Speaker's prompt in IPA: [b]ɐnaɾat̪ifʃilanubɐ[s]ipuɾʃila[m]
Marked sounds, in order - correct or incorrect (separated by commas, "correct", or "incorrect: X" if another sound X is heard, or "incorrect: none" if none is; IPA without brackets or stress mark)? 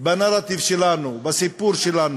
correct, correct, incorrect: n